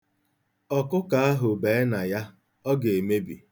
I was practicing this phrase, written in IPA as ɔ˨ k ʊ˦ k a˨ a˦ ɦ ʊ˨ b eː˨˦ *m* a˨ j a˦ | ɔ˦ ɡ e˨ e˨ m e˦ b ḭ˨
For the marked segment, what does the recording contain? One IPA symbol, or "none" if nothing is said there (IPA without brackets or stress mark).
n